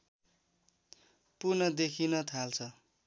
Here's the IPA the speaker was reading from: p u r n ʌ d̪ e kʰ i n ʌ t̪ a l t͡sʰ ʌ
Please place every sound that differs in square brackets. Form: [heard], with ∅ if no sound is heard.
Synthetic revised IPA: p u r n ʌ d̪ e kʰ i n ʌ [t̪ʰ] a l t͡sʰ ʌ